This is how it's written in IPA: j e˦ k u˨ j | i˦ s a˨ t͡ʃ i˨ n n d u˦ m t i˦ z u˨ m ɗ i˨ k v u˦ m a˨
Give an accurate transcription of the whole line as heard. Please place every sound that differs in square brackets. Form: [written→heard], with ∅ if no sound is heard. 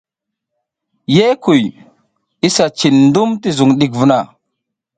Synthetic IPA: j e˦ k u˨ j | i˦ s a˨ t͡ʃ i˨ n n d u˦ m t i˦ z u˨ [m→ŋ] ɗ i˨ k v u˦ [m→n] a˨

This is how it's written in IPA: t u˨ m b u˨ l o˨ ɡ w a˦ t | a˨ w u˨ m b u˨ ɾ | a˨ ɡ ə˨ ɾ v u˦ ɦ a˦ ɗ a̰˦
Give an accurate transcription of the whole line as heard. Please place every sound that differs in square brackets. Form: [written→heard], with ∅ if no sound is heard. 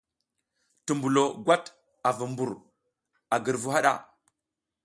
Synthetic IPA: t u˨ m b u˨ l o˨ ɡ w a˦ t | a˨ [w→v] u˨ m b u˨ ɾ | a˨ ɡ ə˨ ɾ v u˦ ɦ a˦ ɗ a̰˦

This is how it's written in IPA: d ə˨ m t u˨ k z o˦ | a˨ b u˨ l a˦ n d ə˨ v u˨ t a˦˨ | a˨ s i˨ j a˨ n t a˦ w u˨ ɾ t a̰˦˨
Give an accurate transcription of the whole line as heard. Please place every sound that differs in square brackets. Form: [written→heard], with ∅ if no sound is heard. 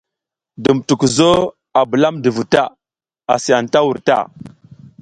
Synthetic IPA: d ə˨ m t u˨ k z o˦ | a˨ b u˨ l a˦ [n→m] d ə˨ v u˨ t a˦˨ | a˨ s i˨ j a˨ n t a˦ w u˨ ɾ t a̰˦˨

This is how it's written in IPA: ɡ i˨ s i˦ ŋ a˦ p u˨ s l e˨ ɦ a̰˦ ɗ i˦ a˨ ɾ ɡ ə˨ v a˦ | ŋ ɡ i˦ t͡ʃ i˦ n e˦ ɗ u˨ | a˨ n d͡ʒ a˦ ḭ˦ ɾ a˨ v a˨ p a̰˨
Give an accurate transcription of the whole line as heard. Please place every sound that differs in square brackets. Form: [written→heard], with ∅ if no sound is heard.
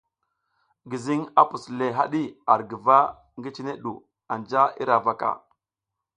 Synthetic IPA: ɡ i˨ [s→z] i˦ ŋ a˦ p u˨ s l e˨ ɦ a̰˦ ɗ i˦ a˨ ɾ ɡ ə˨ v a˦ | ŋ ɡ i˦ t͡ʃ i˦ n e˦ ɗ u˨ | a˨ n d͡ʒ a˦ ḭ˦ ɾ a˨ v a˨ [p→k] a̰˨

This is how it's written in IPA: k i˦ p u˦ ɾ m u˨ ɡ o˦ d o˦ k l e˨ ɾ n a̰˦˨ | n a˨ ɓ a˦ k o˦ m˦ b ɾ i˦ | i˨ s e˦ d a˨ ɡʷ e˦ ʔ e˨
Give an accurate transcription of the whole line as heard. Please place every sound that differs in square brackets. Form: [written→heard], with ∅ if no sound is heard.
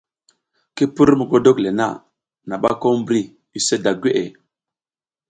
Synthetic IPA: k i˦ p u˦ ɾ m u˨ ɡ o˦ d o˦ k l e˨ [ɾ→∅] n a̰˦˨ | n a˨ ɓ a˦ k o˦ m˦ b ɾ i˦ | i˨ s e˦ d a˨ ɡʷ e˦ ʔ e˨

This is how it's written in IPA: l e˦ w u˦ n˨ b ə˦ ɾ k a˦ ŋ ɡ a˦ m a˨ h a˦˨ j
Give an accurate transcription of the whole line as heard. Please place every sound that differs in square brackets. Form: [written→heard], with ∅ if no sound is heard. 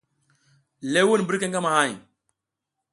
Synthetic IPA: l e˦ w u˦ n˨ b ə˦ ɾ k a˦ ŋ ɡ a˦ m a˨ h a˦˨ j

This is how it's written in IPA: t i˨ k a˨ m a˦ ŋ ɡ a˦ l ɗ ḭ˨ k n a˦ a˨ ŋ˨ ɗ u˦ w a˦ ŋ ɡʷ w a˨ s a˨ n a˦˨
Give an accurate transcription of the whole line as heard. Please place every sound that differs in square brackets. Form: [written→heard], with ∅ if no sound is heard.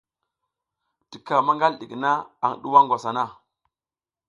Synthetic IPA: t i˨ k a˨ m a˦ ŋ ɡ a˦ l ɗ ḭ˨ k n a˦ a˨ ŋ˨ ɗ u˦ w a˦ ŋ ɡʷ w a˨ s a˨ n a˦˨

